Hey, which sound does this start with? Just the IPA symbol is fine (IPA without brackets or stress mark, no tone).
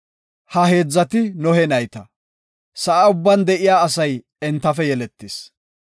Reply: h